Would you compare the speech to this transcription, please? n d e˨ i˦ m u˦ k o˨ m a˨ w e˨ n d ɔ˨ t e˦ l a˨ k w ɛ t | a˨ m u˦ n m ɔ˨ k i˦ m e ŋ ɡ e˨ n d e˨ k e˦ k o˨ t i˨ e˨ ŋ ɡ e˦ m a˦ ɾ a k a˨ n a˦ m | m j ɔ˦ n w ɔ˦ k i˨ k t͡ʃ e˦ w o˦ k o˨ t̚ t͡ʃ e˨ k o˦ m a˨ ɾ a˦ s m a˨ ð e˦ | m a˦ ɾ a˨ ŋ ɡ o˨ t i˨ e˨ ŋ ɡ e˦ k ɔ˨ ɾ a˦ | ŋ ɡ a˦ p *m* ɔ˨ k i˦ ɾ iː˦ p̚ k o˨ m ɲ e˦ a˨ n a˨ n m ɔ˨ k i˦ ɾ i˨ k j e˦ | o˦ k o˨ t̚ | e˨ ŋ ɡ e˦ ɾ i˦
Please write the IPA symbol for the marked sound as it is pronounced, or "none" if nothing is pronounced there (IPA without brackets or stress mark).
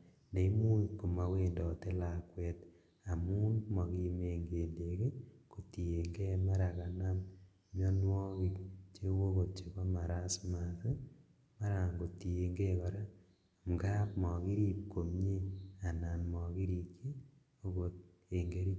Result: m